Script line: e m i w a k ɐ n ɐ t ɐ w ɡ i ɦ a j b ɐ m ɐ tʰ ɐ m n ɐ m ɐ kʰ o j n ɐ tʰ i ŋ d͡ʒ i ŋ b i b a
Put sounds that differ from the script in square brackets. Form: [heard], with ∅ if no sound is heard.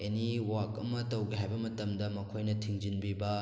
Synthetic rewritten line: e [n] i w a k ɐ [m] ɐ t ɐ w ɡ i ɦ a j b ɐ m ɐ [t] ɐ m [d] ɐ m ɐ kʰ o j n ɐ tʰ i ŋ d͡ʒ i [n] b i b [ɐ]